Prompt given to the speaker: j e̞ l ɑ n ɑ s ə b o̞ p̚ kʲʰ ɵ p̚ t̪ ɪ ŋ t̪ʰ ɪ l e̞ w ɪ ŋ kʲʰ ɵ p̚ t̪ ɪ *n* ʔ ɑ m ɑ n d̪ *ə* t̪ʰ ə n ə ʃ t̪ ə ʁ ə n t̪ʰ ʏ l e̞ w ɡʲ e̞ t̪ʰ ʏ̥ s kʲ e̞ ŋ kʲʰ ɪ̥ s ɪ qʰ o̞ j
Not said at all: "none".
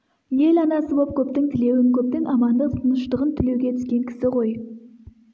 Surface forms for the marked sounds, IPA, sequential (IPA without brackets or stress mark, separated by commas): ŋ, ə